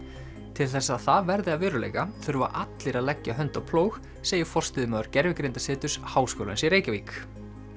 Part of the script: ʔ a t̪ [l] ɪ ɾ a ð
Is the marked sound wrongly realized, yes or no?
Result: no